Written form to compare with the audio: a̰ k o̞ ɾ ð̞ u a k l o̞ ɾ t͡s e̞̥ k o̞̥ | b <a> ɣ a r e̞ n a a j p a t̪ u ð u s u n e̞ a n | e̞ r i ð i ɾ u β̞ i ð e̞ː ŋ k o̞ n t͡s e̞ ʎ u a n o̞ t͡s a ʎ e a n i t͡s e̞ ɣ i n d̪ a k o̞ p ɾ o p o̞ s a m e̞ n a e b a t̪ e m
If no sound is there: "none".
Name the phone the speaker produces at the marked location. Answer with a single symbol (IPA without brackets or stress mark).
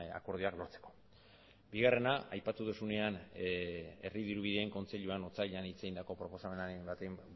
i